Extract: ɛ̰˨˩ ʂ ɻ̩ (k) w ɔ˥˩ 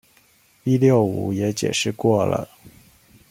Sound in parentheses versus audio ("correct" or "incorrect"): correct